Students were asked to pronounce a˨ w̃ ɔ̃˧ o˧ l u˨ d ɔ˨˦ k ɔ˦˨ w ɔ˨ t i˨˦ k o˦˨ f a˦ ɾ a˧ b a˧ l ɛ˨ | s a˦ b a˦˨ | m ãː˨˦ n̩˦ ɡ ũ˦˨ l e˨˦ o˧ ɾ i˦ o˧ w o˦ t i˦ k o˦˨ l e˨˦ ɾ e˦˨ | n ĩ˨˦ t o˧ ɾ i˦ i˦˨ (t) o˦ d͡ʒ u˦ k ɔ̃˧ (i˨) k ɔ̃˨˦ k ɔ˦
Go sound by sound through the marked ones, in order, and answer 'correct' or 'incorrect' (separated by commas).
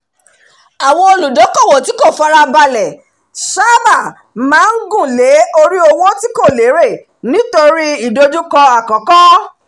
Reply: incorrect, incorrect